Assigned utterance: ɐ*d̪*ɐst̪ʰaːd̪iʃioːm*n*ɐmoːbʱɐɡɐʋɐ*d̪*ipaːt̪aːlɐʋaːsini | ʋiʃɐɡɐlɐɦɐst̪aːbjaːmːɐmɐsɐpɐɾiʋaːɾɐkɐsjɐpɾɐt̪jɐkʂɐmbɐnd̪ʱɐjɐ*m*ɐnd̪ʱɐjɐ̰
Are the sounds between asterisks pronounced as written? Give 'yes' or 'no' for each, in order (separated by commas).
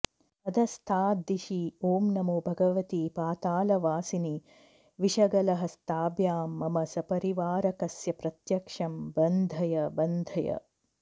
yes, yes, no, no